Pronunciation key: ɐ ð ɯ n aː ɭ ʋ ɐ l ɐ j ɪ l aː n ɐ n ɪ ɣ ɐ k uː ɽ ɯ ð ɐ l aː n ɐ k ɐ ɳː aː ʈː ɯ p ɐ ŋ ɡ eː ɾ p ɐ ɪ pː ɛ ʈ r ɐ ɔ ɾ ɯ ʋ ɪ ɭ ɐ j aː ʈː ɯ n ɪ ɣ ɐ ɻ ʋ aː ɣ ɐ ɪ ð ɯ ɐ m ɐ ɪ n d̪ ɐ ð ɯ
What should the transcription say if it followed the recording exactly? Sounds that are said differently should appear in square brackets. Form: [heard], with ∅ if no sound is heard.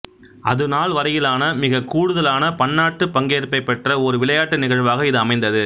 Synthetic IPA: ɐ ð ɯ n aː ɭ ʋ ɐ [ɾ] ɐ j ɪ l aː n ɐ [m] ɪ ɣ ɐ k uː ɽ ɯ ð ɐ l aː n ɐ [p] ɐ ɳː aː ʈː ɯ p ɐ ŋ ɡ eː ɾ p ɐ ɪ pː ɛ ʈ r ɐ ɔ ɾ ɯ ʋ ɪ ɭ ɐ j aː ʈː ɯ n ɪ ɣ ɐ ɻ ʋ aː ɣ ɐ ɪ ð ɯ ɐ m ɐ ɪ n d̪ ɐ ð ɯ